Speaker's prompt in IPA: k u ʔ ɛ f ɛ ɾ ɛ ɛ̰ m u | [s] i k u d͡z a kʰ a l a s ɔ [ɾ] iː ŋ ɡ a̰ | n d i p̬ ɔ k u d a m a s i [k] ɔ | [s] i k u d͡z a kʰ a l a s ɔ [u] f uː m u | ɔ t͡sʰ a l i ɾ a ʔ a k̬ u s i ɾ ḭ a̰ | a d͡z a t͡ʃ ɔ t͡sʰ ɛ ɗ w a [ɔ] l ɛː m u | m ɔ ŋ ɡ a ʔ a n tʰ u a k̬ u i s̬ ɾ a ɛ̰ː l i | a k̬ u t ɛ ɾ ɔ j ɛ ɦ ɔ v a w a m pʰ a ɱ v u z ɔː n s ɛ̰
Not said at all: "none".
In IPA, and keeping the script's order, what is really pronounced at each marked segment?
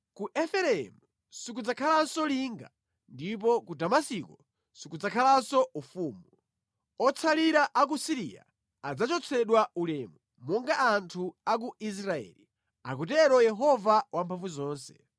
s, l, k, s, u, u

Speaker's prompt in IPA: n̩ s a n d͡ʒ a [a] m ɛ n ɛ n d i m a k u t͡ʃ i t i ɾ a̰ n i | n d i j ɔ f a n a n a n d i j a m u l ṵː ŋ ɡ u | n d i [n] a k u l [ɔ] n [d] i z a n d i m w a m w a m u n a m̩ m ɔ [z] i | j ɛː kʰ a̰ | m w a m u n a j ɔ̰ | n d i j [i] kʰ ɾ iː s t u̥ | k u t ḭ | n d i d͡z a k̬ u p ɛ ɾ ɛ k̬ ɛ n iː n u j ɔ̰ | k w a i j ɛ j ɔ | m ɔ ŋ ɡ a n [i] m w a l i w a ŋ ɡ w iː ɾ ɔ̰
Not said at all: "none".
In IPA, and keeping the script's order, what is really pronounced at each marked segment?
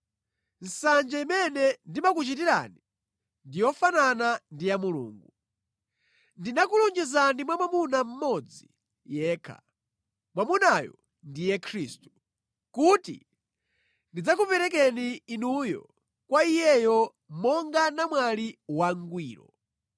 i, n, u, d͡ʒ, d͡z, ɛ, a

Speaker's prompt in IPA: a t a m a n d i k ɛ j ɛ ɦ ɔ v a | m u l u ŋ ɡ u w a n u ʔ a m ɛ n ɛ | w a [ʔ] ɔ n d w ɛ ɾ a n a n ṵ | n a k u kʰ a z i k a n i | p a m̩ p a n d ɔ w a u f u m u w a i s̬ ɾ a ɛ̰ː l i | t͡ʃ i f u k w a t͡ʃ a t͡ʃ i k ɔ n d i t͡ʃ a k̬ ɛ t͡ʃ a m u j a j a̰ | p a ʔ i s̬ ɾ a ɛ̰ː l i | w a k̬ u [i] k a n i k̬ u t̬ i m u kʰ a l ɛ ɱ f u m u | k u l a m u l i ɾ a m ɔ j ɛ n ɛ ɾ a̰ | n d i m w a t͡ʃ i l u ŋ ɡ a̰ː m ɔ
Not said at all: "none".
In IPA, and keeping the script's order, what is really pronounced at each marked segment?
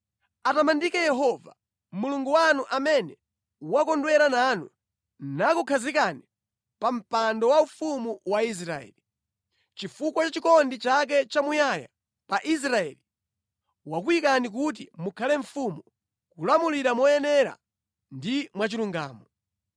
k, i

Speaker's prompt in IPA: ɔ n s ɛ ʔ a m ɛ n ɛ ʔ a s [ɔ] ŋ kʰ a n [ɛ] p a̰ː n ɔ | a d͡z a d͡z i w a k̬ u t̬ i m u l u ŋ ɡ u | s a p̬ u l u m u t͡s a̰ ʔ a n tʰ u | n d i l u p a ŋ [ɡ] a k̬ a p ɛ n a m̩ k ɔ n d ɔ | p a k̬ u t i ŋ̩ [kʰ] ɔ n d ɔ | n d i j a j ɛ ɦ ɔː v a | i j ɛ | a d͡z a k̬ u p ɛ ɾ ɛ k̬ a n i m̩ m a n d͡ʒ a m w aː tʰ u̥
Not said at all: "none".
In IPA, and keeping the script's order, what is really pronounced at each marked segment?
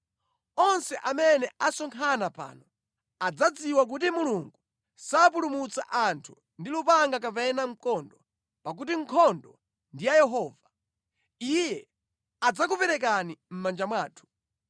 ɔ, a, ɡ, kʰ

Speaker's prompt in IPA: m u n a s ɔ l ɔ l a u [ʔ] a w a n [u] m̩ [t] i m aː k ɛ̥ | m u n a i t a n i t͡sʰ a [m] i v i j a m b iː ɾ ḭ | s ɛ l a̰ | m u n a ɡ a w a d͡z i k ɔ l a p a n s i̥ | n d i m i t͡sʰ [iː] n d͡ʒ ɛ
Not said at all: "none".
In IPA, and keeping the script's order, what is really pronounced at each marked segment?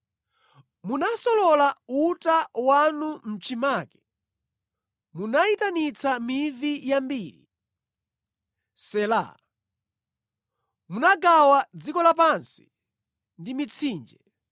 t, u, t͡ʃ, m, iː

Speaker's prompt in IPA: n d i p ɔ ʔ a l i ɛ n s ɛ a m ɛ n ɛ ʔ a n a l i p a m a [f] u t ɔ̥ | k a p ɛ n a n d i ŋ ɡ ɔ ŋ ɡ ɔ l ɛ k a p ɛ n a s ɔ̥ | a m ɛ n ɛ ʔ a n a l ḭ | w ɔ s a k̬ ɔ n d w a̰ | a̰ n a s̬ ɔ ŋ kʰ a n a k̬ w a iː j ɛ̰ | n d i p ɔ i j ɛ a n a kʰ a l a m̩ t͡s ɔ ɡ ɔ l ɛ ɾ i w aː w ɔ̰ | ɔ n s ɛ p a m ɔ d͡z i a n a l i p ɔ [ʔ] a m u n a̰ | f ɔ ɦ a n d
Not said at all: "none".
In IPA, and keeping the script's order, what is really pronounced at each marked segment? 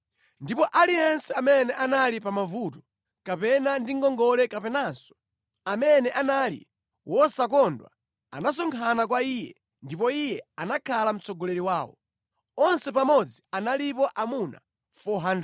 v, ʔ

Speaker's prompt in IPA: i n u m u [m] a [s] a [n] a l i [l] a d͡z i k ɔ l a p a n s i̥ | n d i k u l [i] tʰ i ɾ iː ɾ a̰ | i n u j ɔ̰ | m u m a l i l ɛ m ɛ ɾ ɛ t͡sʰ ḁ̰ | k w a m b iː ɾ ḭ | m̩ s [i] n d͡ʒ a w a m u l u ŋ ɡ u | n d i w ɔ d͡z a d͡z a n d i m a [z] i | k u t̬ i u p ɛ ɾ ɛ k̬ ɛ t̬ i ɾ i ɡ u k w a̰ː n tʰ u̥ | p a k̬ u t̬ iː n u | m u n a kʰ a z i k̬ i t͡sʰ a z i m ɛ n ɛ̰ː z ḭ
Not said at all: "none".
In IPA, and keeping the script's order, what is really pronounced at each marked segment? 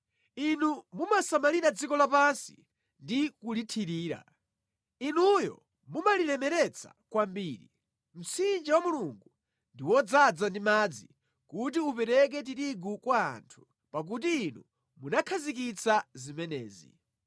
m, s, m, ɾ, i, i, d͡z

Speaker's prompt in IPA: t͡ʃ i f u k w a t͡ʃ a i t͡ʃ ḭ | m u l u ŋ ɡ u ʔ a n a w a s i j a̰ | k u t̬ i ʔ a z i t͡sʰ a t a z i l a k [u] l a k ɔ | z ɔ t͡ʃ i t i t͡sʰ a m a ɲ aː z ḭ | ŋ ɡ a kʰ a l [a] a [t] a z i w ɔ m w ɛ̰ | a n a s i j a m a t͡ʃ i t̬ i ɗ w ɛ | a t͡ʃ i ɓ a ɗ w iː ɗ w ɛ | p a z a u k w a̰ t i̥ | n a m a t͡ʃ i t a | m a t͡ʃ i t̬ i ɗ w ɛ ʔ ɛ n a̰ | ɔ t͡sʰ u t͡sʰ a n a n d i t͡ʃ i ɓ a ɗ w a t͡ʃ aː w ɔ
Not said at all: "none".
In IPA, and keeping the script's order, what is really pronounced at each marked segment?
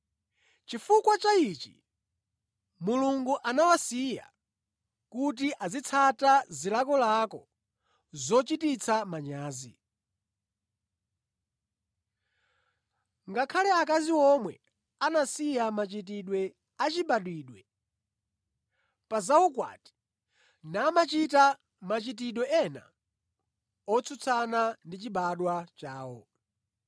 ɔ, ɛ, k

